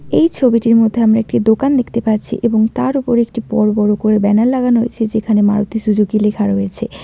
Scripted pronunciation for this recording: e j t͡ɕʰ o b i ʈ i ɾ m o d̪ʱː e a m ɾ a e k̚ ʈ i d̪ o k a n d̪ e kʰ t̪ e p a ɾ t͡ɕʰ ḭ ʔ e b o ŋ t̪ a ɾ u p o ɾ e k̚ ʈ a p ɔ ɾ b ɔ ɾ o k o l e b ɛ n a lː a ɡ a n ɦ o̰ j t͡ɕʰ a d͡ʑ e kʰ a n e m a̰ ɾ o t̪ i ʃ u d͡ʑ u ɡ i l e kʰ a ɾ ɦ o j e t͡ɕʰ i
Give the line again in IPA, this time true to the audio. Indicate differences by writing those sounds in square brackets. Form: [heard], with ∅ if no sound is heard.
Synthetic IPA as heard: e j t͡ɕʰ o b i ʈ i ɾ m o d̪ʱː e a m ɾ a e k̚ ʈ i d̪ o k a n d̪ e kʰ t̪ e p a ɾ t͡ɕʰ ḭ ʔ e b o ŋ t̪ a ɾ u p o ɾ e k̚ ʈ [i] p ɔ ɾ b ɔ ɾ o k o [ɾ] e b ɛ n a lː a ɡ a n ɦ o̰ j t͡ɕʰ [e] d͡ʑ e kʰ a n e m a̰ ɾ o t̪ i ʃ u d͡ʑ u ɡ i l e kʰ a ɾ ɦ o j e t͡ɕʰ [e]